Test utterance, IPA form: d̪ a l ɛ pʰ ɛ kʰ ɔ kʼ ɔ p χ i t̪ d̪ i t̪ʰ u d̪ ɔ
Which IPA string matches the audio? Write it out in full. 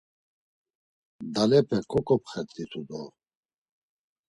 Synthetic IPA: d̪ a l ɛ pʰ ɛ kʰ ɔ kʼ ɔ p χ ɛ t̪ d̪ i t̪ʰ u d̪ ɔ